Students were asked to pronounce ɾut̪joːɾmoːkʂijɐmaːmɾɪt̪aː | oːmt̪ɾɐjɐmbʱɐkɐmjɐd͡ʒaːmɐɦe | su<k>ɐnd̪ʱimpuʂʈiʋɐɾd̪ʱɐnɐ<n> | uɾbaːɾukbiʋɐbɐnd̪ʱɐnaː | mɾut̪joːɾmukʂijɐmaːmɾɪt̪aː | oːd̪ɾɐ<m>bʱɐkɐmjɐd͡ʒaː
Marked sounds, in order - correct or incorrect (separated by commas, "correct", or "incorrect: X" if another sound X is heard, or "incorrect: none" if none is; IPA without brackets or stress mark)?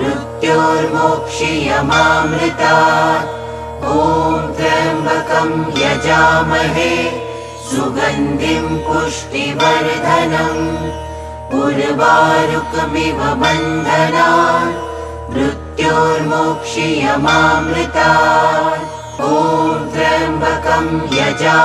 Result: incorrect: ɡ, incorrect: m, correct